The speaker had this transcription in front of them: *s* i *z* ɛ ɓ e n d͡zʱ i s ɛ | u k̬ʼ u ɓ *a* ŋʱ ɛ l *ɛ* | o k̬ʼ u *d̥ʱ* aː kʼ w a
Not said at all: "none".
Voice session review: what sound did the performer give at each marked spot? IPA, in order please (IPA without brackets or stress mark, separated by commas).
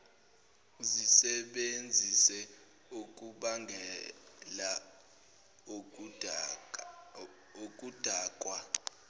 z, s, a, a, d̥ʱ